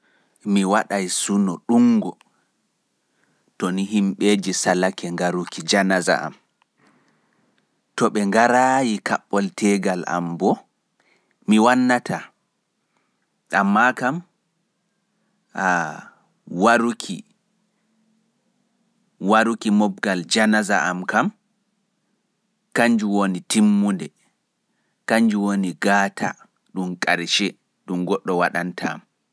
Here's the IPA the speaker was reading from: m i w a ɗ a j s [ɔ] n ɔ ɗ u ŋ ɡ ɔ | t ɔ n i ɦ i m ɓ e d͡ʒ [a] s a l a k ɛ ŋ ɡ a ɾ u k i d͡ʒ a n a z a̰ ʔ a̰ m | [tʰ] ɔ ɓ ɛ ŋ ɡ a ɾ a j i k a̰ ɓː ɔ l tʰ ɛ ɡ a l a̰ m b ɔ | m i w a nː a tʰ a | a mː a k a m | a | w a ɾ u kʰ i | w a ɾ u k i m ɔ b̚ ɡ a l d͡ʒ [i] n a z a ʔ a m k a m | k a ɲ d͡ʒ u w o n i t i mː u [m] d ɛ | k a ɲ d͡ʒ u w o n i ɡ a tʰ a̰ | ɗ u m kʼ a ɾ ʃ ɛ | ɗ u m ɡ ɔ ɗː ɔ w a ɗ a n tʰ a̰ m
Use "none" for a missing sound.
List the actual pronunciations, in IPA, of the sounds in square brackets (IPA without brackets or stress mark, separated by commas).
u, i, t, a, n